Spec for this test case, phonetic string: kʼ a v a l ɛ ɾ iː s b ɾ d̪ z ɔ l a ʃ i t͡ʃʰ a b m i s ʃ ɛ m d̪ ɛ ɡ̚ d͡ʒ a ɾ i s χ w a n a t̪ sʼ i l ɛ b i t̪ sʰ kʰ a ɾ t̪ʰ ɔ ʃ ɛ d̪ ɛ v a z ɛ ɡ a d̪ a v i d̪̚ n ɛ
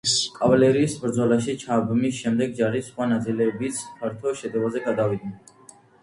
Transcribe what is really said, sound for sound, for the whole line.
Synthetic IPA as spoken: kʼ a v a l ɛ ɾ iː s b ɾ d̪ z ɔ l a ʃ i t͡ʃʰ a b m i s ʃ ɛ m d̪ ɛ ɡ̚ d͡ʒ a ɾ i s χ w a n a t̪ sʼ i l ɛ b i t̪ sʰ pʰ a ɾ t̪ʰ ɔ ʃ ɛ d̪ ɛ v a z ɛ ɡ a d̪ a v i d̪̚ n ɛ

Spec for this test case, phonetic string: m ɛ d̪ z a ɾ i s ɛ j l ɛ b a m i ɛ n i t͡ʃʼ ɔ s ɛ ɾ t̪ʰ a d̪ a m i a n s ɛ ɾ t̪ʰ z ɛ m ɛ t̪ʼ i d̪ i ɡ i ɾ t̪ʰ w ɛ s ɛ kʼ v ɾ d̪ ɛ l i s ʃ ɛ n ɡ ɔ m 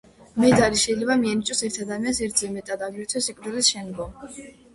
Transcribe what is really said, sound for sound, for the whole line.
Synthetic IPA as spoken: m ɛ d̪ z a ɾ i ʃ ɛ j l ɛ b a m i ɛ n i t͡ʃʼ ɔ s ɛ ɾ t̪ʰ a d̪ a m i a n s ɛ ɾ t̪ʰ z ɛ m ɛ t̪ʼ a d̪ a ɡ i ɾ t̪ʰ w ɛ s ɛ kʼ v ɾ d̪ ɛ l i s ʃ ɛ n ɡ ɔ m

